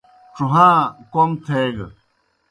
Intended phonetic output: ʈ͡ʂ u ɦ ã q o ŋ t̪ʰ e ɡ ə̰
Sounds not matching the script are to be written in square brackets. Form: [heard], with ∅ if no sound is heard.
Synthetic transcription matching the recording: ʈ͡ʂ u ɦ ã [k] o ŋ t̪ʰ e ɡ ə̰